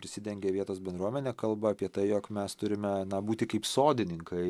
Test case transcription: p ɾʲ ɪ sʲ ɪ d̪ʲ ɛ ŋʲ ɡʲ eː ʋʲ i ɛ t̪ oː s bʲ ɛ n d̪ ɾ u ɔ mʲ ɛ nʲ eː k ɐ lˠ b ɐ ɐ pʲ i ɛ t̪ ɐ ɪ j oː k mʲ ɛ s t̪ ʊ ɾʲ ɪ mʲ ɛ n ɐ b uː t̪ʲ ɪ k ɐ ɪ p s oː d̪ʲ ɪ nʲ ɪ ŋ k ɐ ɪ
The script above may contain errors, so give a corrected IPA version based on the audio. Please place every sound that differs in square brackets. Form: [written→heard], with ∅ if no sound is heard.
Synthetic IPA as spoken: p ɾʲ ɪ sʲ ɪ d̪ʲ ɛ ŋʲ ɡʲ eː ʋʲ i ɛ t̪ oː s bʲ ɛ n d̪ ɾ u ɔ mʲ ɛ nʲ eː k ɐ lˠ b ɐ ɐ pʲ i ɛ t̪ ɐ ɪ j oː k mʲ ɛ s t̪ ʊ ɾʲ ɪ mʲ ɛ n ɐ b uː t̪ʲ ɪ k ɐ ɪ p s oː d̪ʲ ɪ nʲ ɪ ŋ k ɐ ɪ